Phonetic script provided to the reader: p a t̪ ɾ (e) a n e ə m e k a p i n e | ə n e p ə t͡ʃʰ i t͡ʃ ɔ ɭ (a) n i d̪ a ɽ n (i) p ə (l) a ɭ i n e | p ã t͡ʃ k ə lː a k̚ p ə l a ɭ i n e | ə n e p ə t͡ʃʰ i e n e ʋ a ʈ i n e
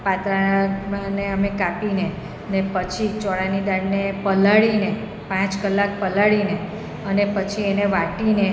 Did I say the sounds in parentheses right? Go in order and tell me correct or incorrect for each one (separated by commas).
incorrect, correct, incorrect, correct